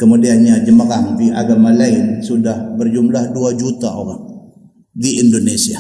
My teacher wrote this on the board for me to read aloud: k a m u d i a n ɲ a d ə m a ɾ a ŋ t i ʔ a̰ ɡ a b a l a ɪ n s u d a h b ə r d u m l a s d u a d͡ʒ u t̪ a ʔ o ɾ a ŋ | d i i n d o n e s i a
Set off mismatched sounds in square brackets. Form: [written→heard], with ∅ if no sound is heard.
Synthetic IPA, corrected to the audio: k [a→ə] m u d i a n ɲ a [d→d͡ʒ] ə m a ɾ a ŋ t i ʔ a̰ ɡ a [b→m] a l a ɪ n s u d a h b ə r [d→d͡ʒ] u m l a [s→h] d u a d͡ʒ u t̪ a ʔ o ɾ a ŋ | d i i n d o n e s i a